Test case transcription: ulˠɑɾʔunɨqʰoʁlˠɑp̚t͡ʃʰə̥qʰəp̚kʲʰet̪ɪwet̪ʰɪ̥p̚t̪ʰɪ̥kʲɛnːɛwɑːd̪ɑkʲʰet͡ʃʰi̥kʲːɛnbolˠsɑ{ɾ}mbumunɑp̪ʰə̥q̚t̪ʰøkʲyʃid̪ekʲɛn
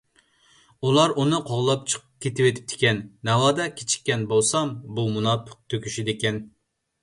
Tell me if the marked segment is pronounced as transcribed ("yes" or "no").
no